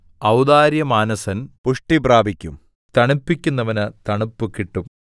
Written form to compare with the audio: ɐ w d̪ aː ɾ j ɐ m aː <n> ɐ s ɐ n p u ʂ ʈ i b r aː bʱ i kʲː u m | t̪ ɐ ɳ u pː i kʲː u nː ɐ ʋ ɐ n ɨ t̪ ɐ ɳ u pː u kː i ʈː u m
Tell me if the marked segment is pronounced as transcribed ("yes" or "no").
yes